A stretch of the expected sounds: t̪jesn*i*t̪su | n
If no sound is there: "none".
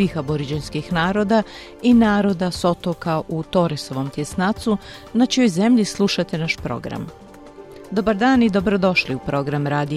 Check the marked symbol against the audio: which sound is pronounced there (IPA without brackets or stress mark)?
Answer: a